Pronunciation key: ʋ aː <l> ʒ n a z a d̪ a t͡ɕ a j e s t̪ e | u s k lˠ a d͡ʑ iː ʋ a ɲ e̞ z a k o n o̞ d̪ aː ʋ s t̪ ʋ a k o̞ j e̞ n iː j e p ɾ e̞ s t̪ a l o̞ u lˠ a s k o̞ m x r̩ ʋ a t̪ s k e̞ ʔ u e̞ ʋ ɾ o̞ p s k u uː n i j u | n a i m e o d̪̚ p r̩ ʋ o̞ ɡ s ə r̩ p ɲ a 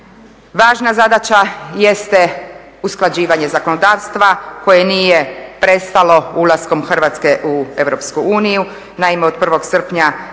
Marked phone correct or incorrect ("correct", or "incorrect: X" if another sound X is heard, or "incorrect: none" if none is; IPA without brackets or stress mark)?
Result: incorrect: none